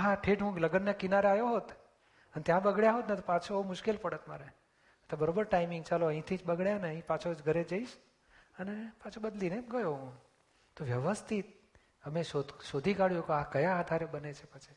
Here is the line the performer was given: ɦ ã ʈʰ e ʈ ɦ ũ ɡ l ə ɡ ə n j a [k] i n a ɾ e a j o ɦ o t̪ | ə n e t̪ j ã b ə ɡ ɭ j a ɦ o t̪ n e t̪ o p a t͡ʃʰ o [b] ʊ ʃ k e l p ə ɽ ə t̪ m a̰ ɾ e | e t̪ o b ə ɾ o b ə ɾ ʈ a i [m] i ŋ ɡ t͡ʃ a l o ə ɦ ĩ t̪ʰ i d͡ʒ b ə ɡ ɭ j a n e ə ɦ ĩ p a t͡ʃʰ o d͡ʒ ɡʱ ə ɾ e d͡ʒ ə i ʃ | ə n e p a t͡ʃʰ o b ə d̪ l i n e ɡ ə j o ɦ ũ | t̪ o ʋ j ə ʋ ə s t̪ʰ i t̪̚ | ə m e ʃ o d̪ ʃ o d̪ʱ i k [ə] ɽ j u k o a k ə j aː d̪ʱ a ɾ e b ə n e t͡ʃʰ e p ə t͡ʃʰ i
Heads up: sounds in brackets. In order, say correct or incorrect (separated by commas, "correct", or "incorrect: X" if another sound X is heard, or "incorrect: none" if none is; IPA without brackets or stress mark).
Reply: correct, incorrect: m, correct, incorrect: a